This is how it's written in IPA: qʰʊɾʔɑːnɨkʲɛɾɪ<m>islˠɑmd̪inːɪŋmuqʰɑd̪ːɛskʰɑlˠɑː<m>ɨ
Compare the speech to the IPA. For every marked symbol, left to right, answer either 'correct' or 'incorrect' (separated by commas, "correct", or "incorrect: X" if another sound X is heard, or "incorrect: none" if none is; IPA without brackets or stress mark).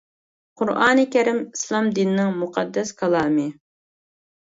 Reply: correct, correct